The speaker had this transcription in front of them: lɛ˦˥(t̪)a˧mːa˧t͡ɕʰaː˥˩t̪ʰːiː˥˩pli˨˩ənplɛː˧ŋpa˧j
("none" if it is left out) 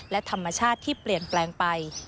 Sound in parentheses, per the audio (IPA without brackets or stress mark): t̪ʰ